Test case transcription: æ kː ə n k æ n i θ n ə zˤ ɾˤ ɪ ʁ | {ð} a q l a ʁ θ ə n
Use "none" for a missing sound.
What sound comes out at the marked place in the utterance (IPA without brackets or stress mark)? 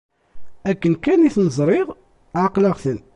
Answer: ʕ